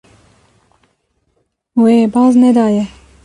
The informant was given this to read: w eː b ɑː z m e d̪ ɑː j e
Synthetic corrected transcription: w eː b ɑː z n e d̪ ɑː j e